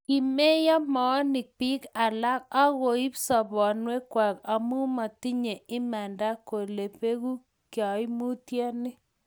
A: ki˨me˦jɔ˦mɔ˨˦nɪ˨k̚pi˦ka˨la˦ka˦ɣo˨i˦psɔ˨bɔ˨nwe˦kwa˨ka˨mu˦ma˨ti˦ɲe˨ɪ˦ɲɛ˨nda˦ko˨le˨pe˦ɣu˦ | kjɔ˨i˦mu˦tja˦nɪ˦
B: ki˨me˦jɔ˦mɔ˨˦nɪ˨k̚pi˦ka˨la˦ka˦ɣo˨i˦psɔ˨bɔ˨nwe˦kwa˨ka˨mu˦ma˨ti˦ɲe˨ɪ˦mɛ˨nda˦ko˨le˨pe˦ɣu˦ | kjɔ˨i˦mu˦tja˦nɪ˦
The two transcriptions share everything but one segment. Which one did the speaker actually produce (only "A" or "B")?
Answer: B